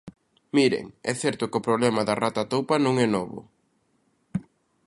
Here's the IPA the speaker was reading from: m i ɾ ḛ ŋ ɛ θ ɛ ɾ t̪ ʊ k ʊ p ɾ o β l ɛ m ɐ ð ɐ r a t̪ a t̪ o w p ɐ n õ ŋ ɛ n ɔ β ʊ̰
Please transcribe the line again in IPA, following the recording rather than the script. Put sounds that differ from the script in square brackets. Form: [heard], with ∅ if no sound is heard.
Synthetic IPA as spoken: m i ɾ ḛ ŋ ɛ θ ɛ ɾ t̪ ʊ k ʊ p ɾ o β l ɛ m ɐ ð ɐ r a t̪ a t̪ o w p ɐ n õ ŋ ɛ n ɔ β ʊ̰